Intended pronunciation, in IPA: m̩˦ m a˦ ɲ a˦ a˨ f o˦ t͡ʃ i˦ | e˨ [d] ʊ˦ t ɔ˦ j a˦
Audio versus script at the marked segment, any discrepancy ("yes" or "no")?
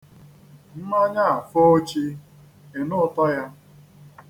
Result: yes